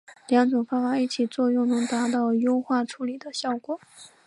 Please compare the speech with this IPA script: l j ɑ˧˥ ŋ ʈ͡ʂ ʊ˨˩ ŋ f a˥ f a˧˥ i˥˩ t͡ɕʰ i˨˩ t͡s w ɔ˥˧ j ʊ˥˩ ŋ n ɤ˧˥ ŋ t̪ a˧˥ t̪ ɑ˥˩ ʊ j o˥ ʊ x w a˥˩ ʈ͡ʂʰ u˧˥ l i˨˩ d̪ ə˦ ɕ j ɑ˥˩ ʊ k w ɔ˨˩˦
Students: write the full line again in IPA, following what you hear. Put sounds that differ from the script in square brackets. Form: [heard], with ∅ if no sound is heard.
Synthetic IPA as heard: l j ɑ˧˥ ŋ ʈ͡ʂ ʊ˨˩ ŋ f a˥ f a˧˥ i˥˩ t͡ɕʰ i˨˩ t͡s w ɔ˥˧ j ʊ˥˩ ŋ n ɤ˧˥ ŋ t̪ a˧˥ t̪ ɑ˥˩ ʊ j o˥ ʊ x w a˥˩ ʈ͡ʂʰ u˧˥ l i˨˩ d̪ ə˦ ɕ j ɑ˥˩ ʊ k w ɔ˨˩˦